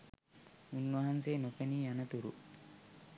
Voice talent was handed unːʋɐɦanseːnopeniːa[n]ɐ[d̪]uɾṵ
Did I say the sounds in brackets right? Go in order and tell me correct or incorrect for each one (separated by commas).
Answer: correct, incorrect